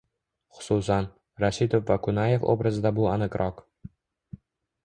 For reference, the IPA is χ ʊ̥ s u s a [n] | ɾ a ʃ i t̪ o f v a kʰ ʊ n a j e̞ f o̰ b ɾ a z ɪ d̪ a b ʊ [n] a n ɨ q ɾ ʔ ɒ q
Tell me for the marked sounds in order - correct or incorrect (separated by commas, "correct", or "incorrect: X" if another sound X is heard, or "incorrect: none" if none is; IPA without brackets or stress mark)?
correct, incorrect: none